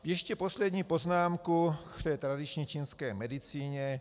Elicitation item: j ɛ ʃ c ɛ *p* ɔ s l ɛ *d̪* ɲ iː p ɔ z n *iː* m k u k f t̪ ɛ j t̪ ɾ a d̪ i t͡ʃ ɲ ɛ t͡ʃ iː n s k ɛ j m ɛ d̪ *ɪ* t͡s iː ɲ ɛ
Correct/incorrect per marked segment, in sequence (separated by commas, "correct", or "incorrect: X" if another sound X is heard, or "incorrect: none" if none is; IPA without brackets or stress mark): correct, correct, incorrect: aː, incorrect: i